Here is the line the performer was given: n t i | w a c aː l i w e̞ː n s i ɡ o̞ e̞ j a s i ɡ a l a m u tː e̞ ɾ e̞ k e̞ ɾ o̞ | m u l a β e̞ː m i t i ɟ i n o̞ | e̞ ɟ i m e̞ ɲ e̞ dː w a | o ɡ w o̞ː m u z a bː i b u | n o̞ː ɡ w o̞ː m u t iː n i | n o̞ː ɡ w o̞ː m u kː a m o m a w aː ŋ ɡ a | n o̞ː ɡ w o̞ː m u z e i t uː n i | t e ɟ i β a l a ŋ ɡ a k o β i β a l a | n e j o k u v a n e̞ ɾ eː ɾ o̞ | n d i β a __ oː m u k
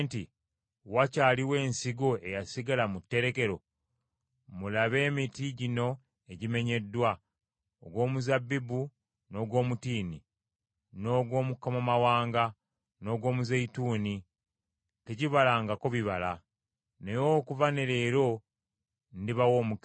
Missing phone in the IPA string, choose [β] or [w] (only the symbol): w